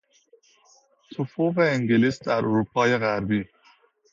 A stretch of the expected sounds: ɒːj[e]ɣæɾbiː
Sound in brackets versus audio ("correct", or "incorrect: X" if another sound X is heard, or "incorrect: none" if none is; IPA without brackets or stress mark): correct